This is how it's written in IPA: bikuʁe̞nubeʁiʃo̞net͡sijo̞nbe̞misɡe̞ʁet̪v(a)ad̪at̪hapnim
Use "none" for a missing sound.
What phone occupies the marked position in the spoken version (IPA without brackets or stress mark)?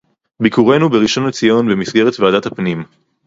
e